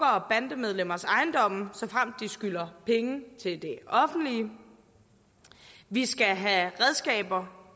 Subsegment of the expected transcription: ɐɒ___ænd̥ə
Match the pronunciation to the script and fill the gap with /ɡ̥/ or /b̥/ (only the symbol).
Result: b̥